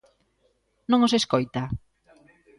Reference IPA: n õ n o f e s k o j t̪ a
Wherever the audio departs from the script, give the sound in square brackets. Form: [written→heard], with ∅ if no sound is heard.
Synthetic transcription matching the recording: n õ [n→ŋ] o [f→s] e s k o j t̪ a